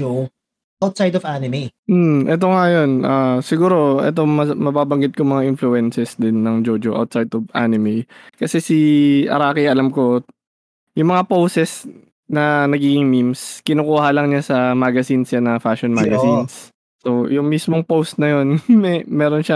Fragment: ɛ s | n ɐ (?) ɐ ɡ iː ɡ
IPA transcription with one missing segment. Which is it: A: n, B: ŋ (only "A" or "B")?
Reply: A